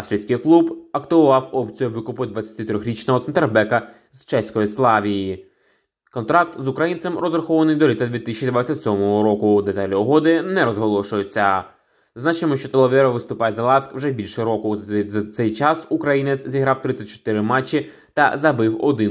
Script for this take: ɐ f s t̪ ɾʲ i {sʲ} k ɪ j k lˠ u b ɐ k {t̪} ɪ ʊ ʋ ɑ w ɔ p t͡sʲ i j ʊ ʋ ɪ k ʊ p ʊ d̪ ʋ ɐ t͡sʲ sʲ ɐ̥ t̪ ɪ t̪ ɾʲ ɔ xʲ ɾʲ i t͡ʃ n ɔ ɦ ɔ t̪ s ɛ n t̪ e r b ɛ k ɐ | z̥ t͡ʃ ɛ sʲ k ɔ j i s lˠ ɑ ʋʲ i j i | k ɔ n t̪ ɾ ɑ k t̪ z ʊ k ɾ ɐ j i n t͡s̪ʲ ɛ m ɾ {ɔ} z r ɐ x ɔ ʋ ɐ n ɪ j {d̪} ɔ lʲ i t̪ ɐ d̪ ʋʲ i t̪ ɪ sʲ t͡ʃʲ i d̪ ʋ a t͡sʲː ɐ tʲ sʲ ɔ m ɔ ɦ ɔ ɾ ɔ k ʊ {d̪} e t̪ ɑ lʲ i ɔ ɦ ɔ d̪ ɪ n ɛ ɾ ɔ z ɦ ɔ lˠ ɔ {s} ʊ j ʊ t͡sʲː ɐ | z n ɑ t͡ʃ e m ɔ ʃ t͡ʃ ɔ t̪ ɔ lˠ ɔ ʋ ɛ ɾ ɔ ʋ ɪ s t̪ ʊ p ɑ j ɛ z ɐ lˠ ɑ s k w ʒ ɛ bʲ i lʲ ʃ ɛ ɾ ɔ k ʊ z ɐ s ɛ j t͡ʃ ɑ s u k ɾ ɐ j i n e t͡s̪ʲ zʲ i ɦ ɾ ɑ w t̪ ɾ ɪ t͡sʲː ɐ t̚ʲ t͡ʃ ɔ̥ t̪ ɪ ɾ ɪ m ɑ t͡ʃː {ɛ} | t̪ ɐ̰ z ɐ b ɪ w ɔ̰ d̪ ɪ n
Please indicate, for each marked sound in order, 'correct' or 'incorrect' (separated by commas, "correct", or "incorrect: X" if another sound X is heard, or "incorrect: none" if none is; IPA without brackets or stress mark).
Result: correct, correct, correct, correct, correct, incorrect: ʃ, incorrect: i